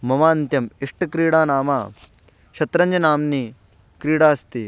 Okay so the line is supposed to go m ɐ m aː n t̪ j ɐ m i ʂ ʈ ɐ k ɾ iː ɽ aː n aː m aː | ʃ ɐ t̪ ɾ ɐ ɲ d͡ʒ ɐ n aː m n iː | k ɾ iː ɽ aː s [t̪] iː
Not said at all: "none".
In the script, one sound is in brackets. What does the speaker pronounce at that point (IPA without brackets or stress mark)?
t̪